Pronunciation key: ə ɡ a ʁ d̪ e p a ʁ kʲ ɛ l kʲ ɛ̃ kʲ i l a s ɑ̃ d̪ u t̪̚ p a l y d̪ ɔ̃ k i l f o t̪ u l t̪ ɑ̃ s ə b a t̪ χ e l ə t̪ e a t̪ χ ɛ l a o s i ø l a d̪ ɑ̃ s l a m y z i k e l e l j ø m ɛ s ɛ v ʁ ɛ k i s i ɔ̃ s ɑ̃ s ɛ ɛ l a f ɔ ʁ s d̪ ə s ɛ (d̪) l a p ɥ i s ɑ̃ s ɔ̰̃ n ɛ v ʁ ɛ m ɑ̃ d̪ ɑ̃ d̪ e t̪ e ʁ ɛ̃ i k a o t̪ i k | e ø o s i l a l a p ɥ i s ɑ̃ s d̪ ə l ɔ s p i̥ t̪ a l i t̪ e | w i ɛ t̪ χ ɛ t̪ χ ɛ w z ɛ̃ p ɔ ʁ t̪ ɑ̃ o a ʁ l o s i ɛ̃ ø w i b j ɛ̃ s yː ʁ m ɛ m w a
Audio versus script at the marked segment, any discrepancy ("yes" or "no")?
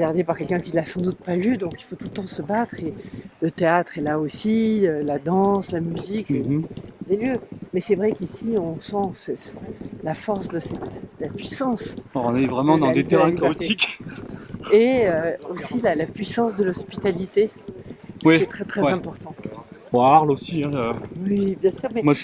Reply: yes